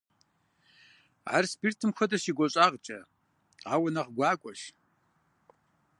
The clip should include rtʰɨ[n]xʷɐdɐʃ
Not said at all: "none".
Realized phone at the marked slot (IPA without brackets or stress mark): m